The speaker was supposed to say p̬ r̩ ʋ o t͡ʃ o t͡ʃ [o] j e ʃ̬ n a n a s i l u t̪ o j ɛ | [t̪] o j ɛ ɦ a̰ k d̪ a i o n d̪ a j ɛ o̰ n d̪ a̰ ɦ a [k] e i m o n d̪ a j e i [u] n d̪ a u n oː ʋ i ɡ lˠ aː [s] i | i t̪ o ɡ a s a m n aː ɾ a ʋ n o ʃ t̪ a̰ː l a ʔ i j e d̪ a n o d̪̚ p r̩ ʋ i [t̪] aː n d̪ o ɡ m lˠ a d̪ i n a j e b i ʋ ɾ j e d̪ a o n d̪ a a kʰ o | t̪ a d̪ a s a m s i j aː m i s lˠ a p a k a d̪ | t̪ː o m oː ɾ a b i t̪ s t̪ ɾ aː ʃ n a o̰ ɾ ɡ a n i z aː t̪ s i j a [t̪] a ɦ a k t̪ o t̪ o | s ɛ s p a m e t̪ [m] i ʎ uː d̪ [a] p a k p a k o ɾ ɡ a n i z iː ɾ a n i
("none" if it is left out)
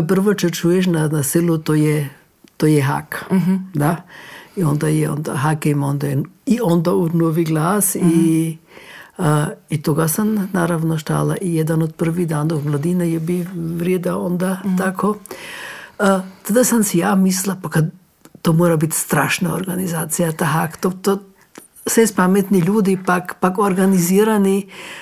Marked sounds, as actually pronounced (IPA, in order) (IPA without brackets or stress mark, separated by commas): u, t̪, k, o, s, d̪, t̪, n, i